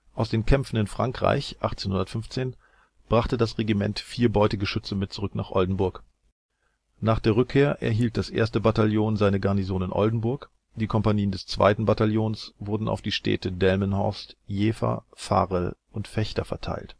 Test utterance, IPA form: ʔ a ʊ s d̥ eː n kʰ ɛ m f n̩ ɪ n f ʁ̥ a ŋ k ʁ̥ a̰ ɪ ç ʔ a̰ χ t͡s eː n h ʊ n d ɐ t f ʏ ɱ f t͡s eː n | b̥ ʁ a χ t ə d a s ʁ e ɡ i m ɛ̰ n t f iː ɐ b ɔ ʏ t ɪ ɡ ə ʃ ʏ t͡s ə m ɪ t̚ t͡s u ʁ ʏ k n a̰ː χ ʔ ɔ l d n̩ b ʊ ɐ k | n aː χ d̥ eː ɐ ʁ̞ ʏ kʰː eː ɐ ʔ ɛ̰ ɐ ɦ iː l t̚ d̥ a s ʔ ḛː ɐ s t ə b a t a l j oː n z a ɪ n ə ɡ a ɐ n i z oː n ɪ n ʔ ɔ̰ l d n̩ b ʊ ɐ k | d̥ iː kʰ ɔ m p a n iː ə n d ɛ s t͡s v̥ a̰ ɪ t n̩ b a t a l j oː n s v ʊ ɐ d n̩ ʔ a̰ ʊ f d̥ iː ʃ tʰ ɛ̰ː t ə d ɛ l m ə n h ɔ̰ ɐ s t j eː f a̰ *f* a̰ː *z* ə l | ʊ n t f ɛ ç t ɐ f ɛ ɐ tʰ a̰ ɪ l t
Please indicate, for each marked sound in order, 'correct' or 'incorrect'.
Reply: correct, incorrect: ʁ

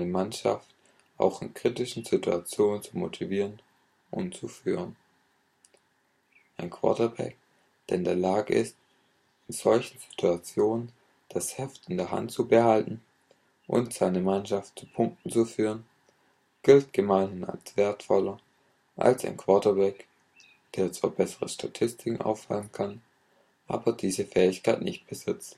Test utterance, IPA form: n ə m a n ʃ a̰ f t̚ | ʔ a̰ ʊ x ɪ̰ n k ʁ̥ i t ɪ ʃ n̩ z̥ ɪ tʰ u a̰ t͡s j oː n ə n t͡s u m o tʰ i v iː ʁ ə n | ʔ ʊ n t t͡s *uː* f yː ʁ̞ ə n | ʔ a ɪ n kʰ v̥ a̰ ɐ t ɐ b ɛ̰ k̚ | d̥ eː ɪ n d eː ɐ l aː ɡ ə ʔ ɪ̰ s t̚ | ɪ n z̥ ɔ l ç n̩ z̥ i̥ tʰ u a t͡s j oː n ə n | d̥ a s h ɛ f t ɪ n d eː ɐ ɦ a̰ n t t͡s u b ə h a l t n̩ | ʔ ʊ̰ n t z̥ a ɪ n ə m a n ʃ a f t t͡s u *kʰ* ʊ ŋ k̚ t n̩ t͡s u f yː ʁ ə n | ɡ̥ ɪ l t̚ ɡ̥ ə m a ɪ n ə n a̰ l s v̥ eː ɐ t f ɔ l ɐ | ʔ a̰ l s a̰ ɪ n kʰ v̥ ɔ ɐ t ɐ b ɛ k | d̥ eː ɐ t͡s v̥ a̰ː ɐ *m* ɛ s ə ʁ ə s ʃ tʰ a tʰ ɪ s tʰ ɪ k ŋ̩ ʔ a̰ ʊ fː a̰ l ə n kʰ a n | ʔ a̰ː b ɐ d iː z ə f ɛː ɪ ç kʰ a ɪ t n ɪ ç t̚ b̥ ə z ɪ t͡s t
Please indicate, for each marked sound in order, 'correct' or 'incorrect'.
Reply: incorrect: u, incorrect: pʰ, incorrect: b

